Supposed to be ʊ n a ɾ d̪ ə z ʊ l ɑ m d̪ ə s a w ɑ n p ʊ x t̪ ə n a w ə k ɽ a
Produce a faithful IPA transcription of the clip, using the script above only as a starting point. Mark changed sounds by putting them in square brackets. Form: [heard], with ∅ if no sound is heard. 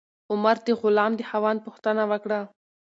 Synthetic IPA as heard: ʊ [m] a ɾ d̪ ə [ɣ] ʊ l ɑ m d̪ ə [h] a w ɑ n p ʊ x t̪ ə n a w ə k ɽ a

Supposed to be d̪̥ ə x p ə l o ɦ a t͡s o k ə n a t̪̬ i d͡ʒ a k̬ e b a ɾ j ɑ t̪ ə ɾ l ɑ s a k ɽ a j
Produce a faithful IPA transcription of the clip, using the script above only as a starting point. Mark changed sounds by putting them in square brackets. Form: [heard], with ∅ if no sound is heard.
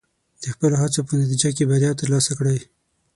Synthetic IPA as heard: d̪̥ ə x p ə l o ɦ a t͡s o [p] ə n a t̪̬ i d͡ʒ a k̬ e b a ɾ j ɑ t̪ ə ɾ l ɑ s a k ɽ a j

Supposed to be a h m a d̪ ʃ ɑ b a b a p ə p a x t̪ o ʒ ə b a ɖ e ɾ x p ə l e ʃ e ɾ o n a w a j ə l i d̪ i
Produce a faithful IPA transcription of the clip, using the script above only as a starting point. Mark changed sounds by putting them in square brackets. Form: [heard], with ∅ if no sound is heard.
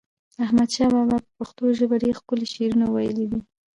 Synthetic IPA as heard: a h m a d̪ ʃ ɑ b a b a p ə p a x t̪ o ʒ ə b a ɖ e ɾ x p ə l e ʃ e ɾ [u] n a w a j ə l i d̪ i

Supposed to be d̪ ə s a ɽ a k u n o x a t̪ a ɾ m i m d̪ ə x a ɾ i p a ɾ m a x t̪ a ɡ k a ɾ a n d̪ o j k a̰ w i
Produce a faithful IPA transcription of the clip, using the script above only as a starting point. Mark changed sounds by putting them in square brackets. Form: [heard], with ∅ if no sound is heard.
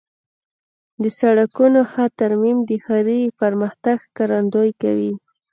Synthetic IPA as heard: d̪ ə s a ɽ a k u n o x a t̪ a ɾ m i m d̪ ə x a ɾ i p a ɾ m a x t̪ a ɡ k a ɾ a n d̪ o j k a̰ w i

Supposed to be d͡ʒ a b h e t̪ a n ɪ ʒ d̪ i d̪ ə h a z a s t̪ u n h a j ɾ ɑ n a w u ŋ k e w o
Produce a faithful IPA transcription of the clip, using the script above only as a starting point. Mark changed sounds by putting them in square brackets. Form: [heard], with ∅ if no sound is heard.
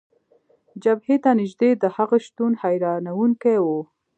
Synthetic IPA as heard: d͡ʒ a b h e t̪ a n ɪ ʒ d̪ [e] d̪ ə h a [ɣ] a [ʃ] t̪ u n h a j ɾ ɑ n a w u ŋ k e w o

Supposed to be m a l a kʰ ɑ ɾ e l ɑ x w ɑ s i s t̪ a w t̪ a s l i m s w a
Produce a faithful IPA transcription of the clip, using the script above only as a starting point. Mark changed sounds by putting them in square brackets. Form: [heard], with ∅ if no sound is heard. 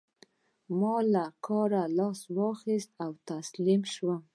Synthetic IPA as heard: m [ɑ] l a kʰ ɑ ɾ [a] l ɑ [s] w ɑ [x] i s t̪ a w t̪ a s l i m [ʃ] w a

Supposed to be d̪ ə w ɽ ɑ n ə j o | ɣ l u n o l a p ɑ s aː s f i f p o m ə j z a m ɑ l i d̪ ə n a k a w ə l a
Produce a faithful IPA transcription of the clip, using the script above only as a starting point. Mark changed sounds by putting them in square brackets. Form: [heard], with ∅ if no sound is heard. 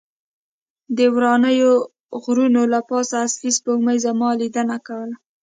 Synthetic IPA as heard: d̪ ə w [ɾ] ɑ n ə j o | ɣ [ɾ] u n o l a p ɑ s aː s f i [s] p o m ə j z a m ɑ l i d̪ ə n a k a w ə l a

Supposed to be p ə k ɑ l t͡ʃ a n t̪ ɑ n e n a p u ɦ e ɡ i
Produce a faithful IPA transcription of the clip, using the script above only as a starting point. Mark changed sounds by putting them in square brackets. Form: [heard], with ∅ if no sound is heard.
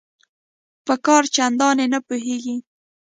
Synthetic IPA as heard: p ə k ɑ [ɾ] t͡ʃ a n [d̪] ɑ n e n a p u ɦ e ɡ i

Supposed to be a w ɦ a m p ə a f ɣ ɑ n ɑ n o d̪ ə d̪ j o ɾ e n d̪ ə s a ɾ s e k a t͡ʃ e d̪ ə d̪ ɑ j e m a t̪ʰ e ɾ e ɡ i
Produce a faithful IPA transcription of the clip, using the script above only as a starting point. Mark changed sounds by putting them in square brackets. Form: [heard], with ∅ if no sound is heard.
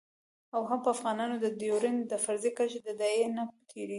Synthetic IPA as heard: a w ɦ a m p ə a f ɣ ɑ n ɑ n o d̪ ə d̪ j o ɾ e n d̪ ə [f] a ɾ [z] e k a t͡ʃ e d̪ ə d̪ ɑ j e [n] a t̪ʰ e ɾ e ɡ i

